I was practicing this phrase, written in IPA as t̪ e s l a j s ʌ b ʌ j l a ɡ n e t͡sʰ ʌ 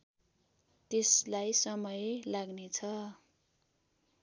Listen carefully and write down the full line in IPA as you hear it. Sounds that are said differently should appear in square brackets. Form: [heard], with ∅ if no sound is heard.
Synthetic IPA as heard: t̪ e s l a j s ʌ [m] ʌ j l a ɡ n e t͡sʰ ʌ

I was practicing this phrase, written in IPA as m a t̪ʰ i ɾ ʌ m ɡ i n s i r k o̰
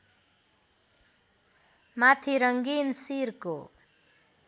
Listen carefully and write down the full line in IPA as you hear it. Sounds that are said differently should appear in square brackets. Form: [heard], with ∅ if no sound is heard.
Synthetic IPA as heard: m a t̪ʰ i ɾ ʌ [ŋ] ɡ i n s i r k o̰

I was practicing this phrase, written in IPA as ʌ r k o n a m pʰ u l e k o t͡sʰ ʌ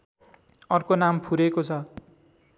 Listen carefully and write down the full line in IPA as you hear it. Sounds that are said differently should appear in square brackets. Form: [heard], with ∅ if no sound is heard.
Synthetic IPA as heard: ʌ r k o n a m pʰ u [ɾ] e k o t͡sʰ ʌ

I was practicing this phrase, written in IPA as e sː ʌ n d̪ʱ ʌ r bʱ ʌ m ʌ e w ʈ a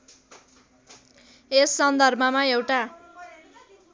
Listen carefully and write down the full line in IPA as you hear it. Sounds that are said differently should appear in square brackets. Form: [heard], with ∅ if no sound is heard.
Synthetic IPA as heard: e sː ʌ n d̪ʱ ʌ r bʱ ʌ m [a] e w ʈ a

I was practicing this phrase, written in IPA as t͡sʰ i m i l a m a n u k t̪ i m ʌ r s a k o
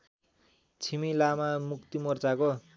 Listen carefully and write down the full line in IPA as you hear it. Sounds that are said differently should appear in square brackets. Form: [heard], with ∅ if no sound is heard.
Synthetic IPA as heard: t͡sʰ i m i l a m a [m] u k t̪ i m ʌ r [t͡s] a k o

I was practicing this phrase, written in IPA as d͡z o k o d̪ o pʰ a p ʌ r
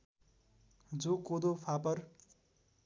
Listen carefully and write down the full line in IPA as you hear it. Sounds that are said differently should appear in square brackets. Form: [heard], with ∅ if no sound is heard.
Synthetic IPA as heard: d͡z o k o d̪ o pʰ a p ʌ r

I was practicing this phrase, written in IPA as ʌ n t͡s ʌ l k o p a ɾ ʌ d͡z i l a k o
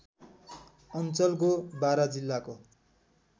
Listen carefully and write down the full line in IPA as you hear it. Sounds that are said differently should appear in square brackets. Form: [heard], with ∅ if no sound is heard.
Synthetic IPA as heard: ʌ n t͡s ʌ l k o [b] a ɾ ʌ d͡z i [lː] a k o

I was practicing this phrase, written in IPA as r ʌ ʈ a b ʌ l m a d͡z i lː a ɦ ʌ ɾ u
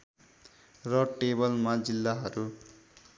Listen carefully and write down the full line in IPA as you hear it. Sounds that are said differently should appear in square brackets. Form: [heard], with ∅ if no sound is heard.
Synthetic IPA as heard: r ʌ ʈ [e] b ʌ l m a d͡z i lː a ɦ ʌ ɾ u

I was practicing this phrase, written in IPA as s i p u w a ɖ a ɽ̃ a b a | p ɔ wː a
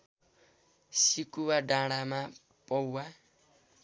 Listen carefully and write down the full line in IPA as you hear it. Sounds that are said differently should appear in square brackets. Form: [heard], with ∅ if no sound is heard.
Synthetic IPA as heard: s i [k] u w a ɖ a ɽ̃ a [m] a | p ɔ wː a

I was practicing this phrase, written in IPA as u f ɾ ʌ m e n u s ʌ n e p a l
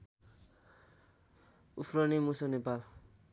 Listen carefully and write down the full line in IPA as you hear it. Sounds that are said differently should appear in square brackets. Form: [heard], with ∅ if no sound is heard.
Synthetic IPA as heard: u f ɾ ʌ [n] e [m] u s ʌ n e p a l

